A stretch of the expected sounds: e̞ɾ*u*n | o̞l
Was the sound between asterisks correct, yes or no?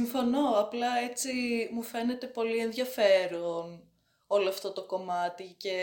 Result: no